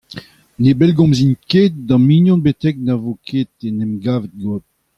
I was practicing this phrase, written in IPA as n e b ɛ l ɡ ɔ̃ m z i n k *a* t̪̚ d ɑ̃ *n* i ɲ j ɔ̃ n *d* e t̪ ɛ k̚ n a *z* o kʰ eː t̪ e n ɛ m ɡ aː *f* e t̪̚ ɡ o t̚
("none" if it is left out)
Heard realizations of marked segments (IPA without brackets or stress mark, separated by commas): e, m, b, v, v